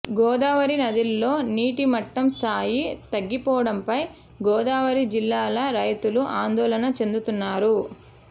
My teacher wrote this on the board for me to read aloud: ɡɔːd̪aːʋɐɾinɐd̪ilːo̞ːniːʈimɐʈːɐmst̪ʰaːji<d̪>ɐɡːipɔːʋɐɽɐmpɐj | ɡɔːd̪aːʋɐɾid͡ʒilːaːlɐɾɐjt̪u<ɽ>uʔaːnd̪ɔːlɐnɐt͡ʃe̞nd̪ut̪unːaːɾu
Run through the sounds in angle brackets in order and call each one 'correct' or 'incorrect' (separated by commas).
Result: incorrect, incorrect